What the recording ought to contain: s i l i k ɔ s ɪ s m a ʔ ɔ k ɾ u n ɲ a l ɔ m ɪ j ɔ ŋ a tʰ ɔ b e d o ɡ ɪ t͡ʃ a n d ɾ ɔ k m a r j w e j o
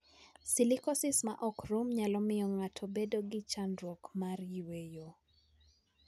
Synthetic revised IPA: s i l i k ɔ s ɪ s m a ʔ ɔ k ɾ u m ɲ a l ɔ m ɪ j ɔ ŋ a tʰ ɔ b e d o ɡ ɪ t͡ʃ a n d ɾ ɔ k m a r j w e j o